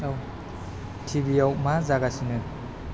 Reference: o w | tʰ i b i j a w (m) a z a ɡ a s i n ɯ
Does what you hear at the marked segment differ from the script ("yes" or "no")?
no